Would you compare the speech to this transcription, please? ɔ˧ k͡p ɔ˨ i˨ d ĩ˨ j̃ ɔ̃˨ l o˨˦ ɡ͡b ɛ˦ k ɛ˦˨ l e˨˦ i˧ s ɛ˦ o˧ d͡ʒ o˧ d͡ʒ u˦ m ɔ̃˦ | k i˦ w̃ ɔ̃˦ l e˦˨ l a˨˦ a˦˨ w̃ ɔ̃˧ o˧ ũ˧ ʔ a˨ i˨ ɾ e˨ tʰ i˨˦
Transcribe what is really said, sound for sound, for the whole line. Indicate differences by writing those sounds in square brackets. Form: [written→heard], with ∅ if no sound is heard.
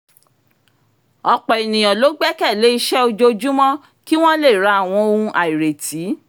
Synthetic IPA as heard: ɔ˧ k͡p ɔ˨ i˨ [d→n] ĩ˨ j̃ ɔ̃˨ l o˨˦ ɡ͡b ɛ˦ k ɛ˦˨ l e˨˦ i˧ [s→ʃ] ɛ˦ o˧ d͡ʒ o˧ d͡ʒ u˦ m ɔ̃˦ | k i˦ w̃ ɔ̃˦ l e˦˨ [l→ɾ] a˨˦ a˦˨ w̃ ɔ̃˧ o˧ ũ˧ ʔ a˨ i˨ ɾ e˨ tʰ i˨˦

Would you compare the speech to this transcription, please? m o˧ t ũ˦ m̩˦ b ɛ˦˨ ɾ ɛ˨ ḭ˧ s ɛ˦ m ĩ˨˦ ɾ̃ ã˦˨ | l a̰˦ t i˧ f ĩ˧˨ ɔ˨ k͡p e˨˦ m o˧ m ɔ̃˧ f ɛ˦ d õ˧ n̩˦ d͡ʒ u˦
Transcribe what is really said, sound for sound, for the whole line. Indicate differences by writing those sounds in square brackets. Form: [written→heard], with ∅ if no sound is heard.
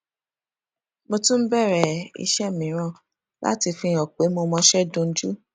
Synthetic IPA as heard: m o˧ t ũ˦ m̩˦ b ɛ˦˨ ɾ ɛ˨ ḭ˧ [s→ʃ] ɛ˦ m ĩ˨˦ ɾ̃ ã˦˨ | l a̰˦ t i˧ f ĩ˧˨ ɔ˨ k͡p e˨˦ m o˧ m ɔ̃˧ [f→ʃ] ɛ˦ d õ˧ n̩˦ d͡ʒ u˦

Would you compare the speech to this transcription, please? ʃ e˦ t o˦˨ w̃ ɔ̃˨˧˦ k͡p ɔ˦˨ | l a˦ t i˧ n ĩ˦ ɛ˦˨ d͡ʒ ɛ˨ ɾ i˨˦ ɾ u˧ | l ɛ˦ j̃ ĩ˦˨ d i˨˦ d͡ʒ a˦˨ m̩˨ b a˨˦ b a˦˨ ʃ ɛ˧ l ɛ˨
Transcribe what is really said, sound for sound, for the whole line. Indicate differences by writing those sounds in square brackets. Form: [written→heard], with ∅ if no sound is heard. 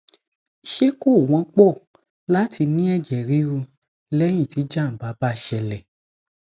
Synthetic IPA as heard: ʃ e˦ [t→k] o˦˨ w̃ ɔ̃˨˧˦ k͡p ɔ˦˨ | l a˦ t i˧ n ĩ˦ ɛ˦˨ d͡ʒ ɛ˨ ɾ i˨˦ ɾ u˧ | l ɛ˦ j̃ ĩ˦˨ [d→t] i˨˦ d͡ʒ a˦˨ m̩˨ b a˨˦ b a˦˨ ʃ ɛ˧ l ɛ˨

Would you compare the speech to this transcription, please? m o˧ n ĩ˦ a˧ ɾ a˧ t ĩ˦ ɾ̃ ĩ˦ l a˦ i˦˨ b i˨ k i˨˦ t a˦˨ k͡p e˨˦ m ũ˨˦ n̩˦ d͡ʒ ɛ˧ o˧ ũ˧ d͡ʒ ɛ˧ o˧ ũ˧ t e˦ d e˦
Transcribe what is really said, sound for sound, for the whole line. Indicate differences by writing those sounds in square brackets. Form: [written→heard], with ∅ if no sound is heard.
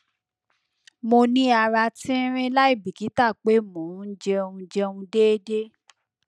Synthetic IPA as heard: m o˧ n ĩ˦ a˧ ɾ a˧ t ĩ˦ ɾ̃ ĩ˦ l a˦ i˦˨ b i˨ k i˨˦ t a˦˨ k͡p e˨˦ m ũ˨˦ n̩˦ d͡ʒ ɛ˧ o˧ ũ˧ d͡ʒ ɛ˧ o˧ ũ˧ [t→d] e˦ d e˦

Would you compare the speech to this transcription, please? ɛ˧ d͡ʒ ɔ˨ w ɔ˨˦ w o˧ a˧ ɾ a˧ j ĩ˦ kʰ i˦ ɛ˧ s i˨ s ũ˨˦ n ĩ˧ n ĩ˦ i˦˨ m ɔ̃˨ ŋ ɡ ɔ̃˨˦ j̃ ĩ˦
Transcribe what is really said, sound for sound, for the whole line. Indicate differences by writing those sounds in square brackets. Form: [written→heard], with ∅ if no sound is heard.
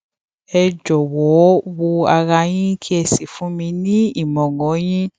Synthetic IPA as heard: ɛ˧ d͡ʒ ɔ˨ w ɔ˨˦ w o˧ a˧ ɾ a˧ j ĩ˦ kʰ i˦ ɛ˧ s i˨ [s→f] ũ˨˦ [n→m] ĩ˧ n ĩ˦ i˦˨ m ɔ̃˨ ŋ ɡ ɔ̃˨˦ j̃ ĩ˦

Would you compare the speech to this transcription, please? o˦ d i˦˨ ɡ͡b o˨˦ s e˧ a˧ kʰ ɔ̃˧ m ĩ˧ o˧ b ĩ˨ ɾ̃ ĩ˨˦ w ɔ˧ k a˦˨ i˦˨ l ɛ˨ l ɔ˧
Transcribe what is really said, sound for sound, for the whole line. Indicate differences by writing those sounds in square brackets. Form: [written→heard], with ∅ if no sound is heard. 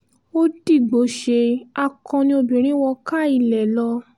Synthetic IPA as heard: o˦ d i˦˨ ɡ͡b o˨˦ [s→ʃ] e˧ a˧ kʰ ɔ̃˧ [m→n] ĩ˧ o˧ b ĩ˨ ɾ̃ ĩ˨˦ w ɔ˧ k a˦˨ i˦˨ l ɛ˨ l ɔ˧

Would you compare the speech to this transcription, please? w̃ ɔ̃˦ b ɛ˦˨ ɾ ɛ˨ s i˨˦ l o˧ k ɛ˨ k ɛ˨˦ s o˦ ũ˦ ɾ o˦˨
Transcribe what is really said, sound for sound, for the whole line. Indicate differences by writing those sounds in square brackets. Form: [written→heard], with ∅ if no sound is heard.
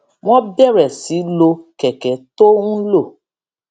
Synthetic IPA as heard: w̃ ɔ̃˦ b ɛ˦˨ ɾ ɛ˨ s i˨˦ l o˧ k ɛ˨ k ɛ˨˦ [s→t] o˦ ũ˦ [ɾ→l] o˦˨

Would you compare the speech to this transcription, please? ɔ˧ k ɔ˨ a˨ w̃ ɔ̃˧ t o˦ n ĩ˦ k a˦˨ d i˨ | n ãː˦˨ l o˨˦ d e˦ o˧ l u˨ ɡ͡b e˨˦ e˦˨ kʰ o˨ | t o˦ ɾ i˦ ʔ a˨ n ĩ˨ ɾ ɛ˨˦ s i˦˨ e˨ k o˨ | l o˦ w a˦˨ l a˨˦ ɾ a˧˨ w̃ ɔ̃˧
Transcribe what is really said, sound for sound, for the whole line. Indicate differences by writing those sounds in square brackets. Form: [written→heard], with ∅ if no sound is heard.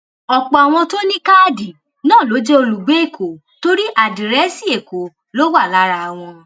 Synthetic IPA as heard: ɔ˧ [k→k͡p] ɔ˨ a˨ w̃ ɔ̃˧ t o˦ n ĩ˦ k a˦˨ d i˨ | n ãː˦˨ l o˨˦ [d→d͡ʒ] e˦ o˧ l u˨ ɡ͡b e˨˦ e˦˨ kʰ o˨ | t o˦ ɾ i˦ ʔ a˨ [n→d] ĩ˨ ɾ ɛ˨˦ s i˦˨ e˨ k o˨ | l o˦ w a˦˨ l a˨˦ ɾ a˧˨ w̃ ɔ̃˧

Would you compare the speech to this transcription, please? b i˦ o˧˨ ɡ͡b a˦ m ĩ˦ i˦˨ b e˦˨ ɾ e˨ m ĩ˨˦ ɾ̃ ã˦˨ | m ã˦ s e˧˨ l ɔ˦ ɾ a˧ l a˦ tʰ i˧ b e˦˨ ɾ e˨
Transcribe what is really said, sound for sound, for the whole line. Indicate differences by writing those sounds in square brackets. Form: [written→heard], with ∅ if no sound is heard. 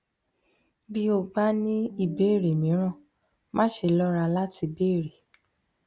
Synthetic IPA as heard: b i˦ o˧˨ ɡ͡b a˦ [m→n] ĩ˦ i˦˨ b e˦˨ ɾ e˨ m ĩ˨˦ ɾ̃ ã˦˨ | m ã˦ [s→ʃ] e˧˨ l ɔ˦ ɾ a˧ l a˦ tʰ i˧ b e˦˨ ɾ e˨

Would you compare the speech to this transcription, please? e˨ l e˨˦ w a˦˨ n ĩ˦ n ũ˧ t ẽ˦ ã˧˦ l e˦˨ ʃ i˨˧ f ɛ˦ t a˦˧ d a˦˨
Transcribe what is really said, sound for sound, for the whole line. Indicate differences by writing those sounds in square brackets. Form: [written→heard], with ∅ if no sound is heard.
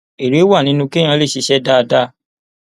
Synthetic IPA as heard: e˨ [l→ɾ] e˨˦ w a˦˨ n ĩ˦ n ũ˧ [t→k] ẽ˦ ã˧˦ l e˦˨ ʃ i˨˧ [f→ʃ] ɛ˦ [t→d] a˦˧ d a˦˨

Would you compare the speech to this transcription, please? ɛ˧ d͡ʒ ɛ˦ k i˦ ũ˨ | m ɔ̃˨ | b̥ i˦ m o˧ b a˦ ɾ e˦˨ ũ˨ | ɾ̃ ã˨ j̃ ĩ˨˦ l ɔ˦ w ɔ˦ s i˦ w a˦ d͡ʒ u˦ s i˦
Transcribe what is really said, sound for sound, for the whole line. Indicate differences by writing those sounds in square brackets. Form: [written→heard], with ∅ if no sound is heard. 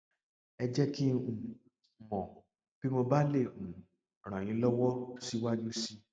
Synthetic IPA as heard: ɛ˧ d͡ʒ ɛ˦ k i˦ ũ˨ | m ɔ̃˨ | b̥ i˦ m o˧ b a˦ [ɾ→l] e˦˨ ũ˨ | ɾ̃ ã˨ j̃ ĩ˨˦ l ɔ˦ w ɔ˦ s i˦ w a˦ d͡ʒ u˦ s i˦

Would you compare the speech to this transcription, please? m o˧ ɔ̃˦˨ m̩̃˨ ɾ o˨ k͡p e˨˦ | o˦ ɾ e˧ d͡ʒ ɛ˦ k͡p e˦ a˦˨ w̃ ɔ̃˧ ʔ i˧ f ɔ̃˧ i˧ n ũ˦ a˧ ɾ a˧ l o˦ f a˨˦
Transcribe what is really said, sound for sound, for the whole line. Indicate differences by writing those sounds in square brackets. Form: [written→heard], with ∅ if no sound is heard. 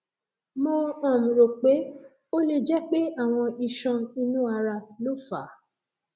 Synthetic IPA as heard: m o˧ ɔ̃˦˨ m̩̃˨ ɾ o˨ k͡p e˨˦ | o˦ [ɾ→l] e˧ d͡ʒ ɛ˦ k͡p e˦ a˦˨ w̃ ɔ̃˧ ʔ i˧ [f→ʃ] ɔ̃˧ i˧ n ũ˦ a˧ ɾ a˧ l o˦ f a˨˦

